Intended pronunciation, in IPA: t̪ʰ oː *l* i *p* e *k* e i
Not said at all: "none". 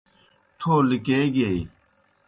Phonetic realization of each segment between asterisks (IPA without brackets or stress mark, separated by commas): l, k, ɡ